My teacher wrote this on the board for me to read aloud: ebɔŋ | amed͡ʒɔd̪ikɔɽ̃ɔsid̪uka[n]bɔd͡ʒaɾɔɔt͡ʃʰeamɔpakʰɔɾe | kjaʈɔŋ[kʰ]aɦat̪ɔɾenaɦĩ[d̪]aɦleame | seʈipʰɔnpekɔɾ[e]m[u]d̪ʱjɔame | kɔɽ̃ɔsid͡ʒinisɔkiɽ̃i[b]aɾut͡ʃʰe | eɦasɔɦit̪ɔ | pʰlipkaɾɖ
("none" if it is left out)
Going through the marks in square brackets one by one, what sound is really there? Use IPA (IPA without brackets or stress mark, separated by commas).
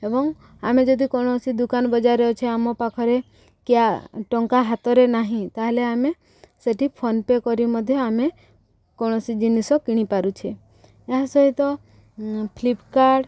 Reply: n, k, t̪, i, ɔ, p